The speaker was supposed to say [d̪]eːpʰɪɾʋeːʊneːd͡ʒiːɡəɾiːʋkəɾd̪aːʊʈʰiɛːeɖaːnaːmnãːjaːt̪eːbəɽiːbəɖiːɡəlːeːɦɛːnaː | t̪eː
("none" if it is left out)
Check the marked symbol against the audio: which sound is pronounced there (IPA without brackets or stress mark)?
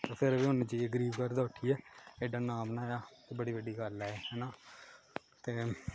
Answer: t̪